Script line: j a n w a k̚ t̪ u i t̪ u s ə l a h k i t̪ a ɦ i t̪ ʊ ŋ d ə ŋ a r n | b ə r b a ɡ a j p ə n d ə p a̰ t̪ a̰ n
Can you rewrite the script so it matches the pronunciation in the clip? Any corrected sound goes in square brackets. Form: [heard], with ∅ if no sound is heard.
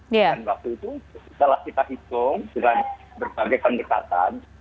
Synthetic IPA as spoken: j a n w a k̚ t̪ u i t̪ u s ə l a h k i t̪ a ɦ i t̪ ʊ ŋ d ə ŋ a [∅] n | b ə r b a ɡ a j p ə n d ə [k] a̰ t̪ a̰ n